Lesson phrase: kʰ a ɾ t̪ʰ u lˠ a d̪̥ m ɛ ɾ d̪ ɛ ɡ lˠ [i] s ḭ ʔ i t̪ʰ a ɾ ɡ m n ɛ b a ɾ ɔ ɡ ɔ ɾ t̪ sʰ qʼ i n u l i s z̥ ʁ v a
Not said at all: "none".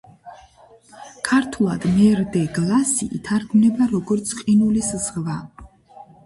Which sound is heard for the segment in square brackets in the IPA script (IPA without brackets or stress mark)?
a